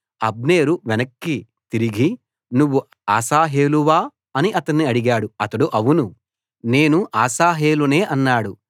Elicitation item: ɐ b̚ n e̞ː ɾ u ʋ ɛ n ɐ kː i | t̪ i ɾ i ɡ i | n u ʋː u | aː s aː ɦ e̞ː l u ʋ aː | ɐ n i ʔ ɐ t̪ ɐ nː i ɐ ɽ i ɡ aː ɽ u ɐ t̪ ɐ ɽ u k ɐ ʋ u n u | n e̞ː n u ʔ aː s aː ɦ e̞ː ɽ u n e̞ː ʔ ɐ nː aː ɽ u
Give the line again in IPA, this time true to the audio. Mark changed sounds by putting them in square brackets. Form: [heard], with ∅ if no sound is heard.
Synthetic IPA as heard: ɐ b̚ n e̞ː ɾ u ʋ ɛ n ɐ kː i | t̪ i ɾ i ɡ i | n u ʋː u | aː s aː ɦ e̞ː l u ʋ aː | ɐ n i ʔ ɐ t̪ ɐ nː i ɐ ɽ i ɡ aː ɽ u ɐ t̪ ɐ ɽ u [ʔ] ɐ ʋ u n u | n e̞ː n u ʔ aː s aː ɦ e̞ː [l] u n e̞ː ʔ ɐ nː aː ɽ u